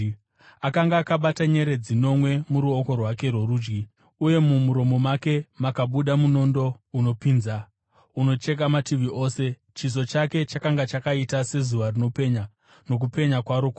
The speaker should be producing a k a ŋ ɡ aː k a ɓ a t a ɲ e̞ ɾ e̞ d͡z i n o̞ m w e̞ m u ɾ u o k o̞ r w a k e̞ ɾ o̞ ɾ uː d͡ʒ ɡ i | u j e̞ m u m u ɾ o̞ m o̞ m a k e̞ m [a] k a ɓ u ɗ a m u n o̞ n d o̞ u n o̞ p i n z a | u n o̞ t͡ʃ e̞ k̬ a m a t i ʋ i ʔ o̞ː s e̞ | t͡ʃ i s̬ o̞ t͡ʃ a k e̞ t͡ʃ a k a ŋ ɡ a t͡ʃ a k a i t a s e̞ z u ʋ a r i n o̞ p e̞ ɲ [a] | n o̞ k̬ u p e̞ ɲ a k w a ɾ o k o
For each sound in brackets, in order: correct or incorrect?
correct, correct

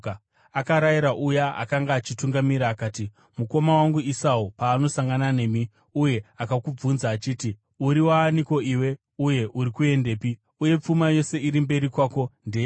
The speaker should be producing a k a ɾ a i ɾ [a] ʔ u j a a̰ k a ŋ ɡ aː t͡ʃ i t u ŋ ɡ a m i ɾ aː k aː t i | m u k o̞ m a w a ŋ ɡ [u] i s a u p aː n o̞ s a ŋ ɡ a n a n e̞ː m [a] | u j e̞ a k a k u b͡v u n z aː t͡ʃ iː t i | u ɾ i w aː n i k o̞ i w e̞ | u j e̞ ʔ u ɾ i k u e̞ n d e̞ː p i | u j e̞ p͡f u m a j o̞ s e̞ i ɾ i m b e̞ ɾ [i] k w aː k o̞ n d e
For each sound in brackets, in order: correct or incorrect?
correct, correct, incorrect: i, correct

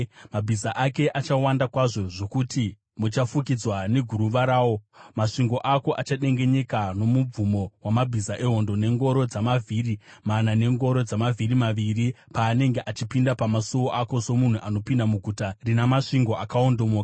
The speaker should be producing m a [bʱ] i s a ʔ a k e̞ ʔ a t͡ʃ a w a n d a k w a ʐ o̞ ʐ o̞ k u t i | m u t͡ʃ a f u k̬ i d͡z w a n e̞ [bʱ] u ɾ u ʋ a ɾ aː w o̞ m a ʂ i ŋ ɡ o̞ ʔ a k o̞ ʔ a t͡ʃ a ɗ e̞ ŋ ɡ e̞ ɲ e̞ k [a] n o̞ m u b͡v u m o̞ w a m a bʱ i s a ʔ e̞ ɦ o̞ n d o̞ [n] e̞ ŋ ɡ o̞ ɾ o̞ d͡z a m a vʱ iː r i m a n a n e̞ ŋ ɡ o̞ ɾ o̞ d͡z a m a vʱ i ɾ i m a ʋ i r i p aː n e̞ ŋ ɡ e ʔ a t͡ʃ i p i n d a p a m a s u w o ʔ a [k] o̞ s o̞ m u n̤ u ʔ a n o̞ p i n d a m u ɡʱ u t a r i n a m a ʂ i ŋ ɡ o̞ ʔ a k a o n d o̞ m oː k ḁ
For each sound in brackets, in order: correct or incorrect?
correct, incorrect: ɡʱ, correct, correct, correct

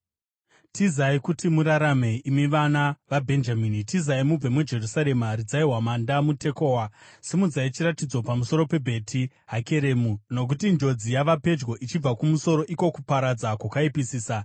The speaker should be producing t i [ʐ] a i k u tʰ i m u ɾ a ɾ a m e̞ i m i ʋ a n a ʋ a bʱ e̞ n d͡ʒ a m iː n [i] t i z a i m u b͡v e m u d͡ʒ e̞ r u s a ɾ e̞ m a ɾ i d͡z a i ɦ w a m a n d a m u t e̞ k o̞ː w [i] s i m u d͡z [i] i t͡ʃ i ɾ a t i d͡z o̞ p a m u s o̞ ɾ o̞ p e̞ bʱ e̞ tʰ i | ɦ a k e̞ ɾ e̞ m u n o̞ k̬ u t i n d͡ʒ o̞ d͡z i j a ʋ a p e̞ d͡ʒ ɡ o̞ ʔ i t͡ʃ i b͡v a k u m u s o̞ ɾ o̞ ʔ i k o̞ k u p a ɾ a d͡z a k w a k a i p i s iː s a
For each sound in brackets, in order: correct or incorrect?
incorrect: z, correct, incorrect: a, incorrect: a

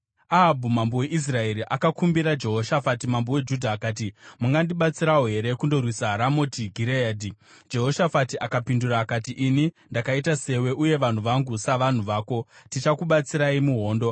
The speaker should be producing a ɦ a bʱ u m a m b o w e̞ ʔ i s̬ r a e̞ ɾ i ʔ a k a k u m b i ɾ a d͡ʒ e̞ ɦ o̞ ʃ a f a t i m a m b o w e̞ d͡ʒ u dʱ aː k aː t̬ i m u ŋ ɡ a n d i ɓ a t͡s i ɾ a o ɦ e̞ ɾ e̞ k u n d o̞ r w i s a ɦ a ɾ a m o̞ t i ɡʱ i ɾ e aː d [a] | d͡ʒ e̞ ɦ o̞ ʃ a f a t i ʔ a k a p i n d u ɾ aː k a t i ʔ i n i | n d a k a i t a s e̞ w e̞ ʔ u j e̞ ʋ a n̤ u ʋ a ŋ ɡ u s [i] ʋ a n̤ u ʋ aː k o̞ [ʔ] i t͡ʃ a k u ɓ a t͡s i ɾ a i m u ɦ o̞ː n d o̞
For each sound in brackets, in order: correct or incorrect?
incorrect: i, incorrect: a, incorrect: t

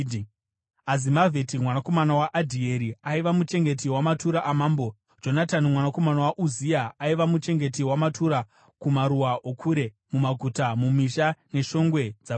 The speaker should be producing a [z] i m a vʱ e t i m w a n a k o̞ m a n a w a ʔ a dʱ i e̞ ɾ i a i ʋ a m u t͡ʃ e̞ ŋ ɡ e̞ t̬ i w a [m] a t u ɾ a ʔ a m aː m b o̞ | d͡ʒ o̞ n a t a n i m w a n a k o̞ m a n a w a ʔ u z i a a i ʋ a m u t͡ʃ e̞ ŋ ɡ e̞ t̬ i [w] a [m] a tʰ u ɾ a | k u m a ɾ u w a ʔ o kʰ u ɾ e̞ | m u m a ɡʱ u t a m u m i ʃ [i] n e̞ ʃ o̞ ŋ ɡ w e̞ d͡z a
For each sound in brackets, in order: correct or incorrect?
correct, correct, correct, correct, incorrect: a

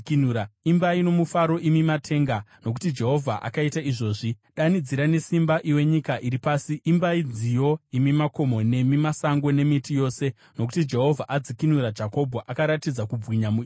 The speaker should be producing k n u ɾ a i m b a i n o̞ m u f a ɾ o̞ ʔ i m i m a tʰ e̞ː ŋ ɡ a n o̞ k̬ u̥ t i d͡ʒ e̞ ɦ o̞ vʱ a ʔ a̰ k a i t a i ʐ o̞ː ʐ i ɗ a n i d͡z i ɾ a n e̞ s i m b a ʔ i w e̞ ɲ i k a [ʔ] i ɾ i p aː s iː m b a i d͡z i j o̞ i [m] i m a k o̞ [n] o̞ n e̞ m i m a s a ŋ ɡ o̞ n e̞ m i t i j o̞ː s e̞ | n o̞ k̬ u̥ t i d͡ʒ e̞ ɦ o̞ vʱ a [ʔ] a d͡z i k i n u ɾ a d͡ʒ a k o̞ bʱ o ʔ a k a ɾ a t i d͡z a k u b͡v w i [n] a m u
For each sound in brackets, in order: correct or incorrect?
correct, correct, incorrect: m, correct, incorrect: ɲ

